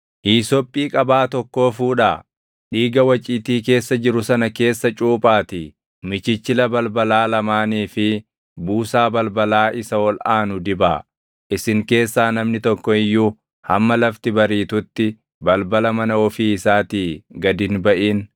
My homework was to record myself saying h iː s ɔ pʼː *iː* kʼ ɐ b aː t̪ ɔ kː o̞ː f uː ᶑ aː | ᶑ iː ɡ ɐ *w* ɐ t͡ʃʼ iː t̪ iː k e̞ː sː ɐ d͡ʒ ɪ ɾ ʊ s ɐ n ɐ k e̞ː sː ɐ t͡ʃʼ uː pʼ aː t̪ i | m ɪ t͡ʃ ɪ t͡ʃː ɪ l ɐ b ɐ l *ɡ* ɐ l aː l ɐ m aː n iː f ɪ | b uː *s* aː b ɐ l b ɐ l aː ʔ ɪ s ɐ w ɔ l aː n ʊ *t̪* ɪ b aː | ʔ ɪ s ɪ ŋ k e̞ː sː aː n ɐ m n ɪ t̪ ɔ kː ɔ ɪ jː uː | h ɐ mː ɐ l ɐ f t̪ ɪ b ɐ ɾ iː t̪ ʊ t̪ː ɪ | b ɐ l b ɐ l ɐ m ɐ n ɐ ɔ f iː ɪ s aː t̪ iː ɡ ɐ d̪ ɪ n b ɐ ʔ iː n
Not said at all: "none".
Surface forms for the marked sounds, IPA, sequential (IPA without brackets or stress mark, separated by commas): iː, w, b, s, d̪